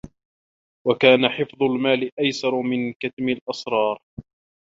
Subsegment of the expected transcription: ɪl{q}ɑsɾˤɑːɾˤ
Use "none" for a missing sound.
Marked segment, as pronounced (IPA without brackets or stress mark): ʔ